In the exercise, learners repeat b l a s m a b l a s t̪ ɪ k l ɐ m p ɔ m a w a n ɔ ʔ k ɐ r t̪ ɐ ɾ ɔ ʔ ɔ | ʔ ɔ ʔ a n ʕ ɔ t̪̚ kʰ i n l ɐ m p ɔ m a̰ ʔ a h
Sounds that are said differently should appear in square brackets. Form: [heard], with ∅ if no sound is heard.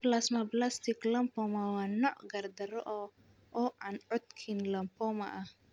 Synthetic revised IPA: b l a s m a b l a s t̪ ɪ k l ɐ m p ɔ m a w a n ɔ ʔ [ɡ] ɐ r [d̪] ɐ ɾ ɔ ʔ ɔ | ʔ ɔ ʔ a n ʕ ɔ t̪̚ kʰ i n l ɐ m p ɔ m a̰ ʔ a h